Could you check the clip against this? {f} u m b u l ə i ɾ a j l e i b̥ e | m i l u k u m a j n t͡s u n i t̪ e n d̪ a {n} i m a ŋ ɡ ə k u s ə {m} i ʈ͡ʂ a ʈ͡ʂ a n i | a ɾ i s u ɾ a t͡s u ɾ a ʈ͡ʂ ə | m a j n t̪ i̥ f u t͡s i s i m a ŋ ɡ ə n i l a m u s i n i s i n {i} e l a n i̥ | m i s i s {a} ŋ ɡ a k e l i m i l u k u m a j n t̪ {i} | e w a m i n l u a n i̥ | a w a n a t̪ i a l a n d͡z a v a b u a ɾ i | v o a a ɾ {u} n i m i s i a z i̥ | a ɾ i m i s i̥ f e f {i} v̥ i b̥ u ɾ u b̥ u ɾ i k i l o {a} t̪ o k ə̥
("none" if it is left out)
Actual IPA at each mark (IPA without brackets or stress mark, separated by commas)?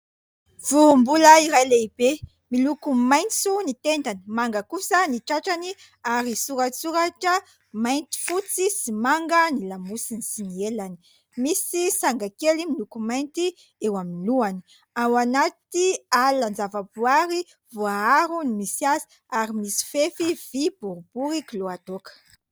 v, n, n, i, a, i, u, i, a